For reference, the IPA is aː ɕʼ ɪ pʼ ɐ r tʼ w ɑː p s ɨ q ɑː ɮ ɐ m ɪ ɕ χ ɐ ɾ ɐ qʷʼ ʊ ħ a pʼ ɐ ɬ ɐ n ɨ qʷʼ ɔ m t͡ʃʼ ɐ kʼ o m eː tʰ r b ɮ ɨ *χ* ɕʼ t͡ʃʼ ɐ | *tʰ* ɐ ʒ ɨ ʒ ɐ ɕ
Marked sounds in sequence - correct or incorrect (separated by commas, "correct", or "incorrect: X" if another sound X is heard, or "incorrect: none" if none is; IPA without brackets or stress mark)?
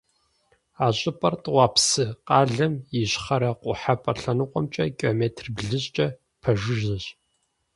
incorrect: none, incorrect: pʰ